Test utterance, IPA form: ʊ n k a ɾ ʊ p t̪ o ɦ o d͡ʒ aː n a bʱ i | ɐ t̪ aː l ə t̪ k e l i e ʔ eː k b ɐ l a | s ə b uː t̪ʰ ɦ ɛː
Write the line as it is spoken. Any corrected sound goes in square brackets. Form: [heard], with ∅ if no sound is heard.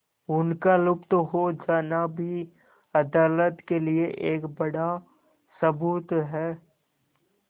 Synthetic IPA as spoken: ʊ n k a [l] ʊ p t̪ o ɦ o d͡ʒ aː n a bʱ i | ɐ [d̪] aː l ə t̪ k e l i e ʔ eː k b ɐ [ɽ] a | s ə b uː [t̪] ɦ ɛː